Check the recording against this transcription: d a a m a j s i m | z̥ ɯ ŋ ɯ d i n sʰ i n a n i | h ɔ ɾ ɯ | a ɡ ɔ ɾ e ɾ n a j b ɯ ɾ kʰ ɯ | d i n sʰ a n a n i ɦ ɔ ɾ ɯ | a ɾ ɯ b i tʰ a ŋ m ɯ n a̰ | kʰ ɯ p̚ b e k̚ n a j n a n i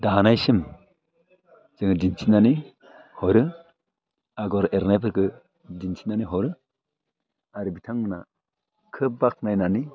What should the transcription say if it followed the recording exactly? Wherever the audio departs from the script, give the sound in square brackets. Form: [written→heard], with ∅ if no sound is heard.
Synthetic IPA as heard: d a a [m→n] a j s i m | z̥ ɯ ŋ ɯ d i n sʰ i n a n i | h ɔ ɾ ɯ | a ɡ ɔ ɾ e ɾ n a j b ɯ ɾ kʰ ɯ | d i n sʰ [a→i] n a n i ɦ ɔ ɾ ɯ | a ɾ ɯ b i tʰ a ŋ m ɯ n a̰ | kʰ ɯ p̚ b [e→a] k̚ n a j n a n i